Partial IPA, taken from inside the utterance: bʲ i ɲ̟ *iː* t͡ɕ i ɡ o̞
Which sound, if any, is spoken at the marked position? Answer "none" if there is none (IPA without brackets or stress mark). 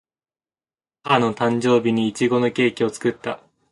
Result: iː